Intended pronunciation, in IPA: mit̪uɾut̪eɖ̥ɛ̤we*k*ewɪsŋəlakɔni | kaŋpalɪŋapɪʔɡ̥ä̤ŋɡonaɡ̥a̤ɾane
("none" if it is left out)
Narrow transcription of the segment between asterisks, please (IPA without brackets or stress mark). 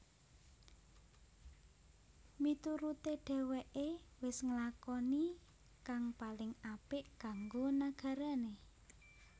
ʔ